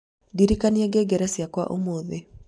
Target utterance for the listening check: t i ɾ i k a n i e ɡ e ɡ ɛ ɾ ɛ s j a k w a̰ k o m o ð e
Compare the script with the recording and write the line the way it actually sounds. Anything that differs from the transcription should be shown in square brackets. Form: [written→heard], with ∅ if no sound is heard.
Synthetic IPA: [t→d] i ɾ i k a n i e ɡ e ɡ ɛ ɾ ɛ s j a k w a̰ [k→ʔ] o m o ð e